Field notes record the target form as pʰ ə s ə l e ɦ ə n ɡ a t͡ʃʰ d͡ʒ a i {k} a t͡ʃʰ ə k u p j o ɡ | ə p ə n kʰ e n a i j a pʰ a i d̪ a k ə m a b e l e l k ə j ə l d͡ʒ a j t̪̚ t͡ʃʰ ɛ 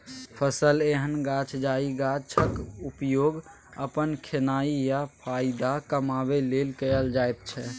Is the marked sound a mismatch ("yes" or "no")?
yes